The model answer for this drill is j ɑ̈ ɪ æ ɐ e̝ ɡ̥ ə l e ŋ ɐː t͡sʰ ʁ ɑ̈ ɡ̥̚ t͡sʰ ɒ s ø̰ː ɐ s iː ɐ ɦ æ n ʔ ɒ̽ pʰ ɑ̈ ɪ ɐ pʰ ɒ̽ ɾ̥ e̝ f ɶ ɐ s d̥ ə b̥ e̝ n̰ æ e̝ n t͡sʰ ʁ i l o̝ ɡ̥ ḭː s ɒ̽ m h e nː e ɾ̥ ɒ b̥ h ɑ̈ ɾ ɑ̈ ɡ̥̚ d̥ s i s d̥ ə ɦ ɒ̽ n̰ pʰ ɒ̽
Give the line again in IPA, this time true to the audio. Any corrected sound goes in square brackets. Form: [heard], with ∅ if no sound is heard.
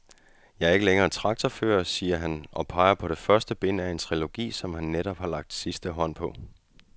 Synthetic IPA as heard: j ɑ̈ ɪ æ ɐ e̝ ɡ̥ ə l e ŋ ɐː t͡sʰ ʁ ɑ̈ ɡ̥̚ t͡sʰ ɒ [f] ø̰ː ɐ s iː ɐ ɦ æ n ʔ ɒ̽ pʰ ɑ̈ ɪ ɐ pʰ ɒ̽ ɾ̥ e̝ f ɶ ɐ s d̥ ə b̥ e̝ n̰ æ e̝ n t͡sʰ ʁ i l o̝ ɡ̥ ḭː s ɒ̽ m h [æ] nː e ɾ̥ ɒ b̥ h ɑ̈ [l] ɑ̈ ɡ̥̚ d̥ s i s d̥ ə ɦ ɒ̽ n̰ pʰ ɒ̽